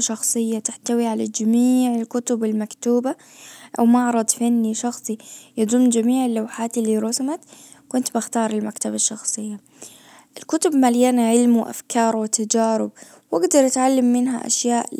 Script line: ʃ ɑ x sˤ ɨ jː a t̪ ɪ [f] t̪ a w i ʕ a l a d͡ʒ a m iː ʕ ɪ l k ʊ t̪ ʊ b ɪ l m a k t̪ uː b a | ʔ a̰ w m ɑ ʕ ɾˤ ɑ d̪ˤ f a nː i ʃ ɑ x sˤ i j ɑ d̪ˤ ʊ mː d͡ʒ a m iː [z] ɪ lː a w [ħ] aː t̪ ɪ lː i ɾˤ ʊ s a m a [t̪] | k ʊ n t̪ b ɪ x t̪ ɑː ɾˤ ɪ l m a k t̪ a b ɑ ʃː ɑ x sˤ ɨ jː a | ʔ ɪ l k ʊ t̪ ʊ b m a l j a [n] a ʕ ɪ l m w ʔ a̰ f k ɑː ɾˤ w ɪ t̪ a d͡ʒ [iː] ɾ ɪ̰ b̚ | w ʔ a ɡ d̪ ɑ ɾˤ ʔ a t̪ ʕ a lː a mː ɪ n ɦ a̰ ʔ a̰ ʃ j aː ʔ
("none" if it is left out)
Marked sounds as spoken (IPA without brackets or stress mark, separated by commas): ħ, ʕ, ħ, t̪, n, aː